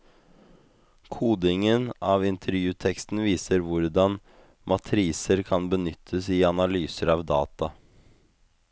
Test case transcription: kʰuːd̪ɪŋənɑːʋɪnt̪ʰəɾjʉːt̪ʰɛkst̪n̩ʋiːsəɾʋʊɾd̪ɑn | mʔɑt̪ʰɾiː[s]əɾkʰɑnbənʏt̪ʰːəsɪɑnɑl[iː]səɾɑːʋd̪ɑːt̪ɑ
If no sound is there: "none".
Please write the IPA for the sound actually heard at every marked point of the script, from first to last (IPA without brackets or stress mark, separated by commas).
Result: s, yː